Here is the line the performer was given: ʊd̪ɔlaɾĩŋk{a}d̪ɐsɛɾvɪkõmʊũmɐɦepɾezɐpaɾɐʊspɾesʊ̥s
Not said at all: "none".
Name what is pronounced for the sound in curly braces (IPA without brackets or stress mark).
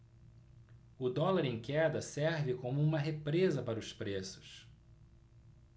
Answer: ɛ